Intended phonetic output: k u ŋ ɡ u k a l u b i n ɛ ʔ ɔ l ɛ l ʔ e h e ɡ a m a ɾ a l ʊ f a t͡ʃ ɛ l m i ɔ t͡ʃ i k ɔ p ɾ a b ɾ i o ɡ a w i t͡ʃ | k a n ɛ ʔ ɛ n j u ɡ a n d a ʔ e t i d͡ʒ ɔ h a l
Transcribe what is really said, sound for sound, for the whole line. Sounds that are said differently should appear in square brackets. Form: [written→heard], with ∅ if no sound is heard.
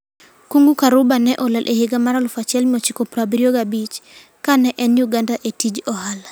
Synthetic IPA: k u ŋ ɡ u k a [l→ɾ] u b [i→a] n ɛ ʔ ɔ l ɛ l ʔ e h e ɡ a m a ɾ a l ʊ f a t͡ʃ ɛ l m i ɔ t͡ʃ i k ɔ p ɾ a b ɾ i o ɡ a [w→b] i t͡ʃ | k a n ɛ ʔ ɛ n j u ɡ a n d a ʔ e t i d͡ʒ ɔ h a l